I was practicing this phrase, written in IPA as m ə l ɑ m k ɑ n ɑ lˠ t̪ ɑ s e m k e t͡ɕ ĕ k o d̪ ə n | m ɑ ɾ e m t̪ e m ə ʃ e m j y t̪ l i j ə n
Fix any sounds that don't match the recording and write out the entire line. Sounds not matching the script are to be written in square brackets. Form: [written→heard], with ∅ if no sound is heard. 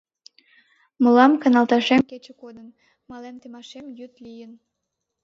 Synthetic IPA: m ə l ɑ m k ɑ n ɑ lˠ t̪ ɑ [s→ʃ] e m k e t͡ɕ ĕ k o d̪ ə n | m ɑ [ɾ→l] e m t̪ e m [ə→ɑ] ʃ e m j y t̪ l i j ə n

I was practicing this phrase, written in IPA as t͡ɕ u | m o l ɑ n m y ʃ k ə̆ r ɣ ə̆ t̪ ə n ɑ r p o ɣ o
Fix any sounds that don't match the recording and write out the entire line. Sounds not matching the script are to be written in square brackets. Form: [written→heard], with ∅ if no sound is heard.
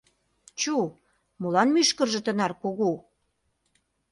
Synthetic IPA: t͡ɕ u | m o l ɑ n m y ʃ k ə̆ r [ɣ→ʒ] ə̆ t̪ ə n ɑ r [p→k] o ɣ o

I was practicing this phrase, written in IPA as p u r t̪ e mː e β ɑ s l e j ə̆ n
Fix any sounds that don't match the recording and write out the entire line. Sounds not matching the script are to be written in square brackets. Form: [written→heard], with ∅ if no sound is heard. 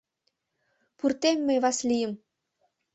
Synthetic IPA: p u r t̪ e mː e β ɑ s l [e→i] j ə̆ [n→m]

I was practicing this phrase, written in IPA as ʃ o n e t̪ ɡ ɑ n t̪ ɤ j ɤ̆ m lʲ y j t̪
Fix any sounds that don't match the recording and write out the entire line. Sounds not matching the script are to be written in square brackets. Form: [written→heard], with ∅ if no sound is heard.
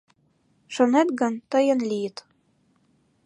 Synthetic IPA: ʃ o n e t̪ ɡ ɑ n t̪ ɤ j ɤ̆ [m→n] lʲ [y→i] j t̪

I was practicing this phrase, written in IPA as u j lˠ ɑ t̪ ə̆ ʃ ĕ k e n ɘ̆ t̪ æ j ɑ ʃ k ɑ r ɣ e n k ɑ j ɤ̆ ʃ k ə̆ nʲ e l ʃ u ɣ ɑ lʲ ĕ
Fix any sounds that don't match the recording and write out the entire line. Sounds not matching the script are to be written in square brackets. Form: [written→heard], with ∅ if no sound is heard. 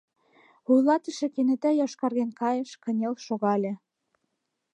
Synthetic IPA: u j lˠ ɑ t̪ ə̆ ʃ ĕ k e n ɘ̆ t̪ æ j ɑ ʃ k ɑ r ɣ e n k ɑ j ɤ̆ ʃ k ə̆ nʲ e l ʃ [u→o] ɣ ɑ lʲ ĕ

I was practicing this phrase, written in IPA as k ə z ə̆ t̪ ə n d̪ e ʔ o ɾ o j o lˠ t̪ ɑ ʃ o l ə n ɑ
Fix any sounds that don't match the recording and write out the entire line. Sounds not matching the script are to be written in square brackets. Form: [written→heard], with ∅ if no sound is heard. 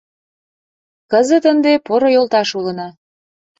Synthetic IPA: k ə z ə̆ t̪ ə n d̪ e [ʔ→p] o ɾ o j o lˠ t̪ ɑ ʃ [o→u] l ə n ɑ

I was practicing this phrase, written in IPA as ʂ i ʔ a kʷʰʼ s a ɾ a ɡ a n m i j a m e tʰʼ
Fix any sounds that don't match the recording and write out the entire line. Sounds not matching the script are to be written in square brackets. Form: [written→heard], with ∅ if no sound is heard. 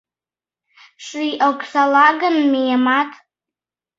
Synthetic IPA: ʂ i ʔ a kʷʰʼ s a [ɾ→l] a ɡ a n m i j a m [e→a] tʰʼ

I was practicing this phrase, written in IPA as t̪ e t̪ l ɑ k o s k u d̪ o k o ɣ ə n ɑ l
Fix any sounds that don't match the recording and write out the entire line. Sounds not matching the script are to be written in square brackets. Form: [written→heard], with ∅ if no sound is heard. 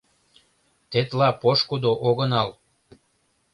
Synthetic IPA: t̪ e t̪ l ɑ [k→p] o [s→ʃ] k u d̪ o [k→ʔ] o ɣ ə n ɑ l

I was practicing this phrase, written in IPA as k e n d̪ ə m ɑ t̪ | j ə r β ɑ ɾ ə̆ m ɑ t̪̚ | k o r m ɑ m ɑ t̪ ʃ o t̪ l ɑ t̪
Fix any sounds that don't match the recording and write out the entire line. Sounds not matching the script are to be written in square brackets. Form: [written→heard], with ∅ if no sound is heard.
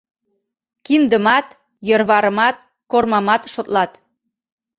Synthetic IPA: k [e→i] n d̪ ə m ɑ t̪ | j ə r β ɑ ɾ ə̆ m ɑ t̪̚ | k o r m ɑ m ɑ t̪ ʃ o t̪ l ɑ t̪

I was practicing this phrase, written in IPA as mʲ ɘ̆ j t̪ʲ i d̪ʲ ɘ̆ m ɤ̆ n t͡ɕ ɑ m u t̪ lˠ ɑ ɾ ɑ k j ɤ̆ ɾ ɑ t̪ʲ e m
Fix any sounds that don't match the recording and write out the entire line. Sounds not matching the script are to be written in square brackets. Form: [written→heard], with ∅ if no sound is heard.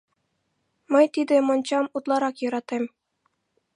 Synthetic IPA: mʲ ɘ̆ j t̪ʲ i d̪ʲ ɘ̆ m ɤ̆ n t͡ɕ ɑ m u t̪ lˠ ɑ ɾ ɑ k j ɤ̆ ɾ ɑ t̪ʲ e m

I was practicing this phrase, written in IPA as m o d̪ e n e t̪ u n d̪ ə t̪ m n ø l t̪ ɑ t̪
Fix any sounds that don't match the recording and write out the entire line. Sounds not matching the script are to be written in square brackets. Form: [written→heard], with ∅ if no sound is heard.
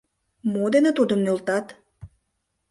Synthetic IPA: m o d̪ e n e t̪ u [n→∅] d̪ ə [t̪→∅] m n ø l t̪ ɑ t̪

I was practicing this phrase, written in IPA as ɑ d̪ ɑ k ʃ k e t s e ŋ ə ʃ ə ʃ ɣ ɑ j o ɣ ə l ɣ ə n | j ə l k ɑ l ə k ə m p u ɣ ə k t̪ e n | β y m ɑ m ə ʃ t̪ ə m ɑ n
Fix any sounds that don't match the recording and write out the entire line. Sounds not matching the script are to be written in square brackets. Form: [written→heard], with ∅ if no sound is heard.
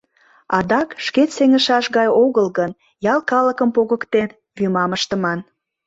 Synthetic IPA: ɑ d̪ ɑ k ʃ k e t s e ŋ ə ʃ [ə→ɑ] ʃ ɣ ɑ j o ɣ ə l ɣ ə n | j [ə→ɑ] l k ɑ l ə k ə m p [u→o] ɣ ə k t̪ e n | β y m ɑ m ə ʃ t̪ ə m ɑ n

